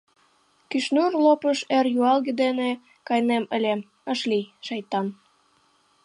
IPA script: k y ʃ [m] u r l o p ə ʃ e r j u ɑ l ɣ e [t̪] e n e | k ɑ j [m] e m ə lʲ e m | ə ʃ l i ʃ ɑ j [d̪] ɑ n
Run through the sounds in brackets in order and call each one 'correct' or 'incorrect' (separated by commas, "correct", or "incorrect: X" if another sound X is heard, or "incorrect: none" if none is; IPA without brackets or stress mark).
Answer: incorrect: n, incorrect: d̪, incorrect: n, incorrect: t̪